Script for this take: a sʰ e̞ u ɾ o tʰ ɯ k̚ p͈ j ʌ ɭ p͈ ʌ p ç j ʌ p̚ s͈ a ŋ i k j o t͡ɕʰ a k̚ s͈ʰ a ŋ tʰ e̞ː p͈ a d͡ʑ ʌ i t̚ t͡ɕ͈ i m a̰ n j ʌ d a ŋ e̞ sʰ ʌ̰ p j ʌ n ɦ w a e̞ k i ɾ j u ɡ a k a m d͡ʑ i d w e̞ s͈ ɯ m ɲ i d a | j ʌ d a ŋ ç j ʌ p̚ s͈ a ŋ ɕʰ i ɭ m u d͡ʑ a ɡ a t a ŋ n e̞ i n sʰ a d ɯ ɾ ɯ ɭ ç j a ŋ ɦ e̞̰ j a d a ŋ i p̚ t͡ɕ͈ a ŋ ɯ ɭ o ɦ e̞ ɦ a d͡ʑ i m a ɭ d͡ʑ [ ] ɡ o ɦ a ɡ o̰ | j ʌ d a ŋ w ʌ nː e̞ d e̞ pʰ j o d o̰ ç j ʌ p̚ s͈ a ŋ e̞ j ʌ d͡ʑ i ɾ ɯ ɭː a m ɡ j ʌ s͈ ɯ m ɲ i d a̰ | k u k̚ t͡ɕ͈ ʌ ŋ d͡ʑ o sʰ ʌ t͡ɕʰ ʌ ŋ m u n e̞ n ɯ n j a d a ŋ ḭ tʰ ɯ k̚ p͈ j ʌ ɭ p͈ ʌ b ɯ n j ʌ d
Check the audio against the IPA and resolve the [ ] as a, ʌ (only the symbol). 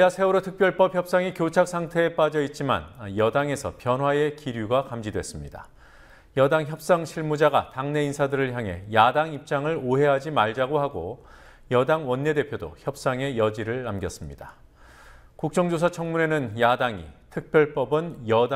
a